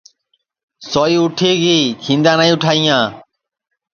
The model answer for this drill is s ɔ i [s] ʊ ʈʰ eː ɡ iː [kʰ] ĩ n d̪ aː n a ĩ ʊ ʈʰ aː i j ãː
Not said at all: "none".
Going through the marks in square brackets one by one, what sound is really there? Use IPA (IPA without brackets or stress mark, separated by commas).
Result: none, kʰ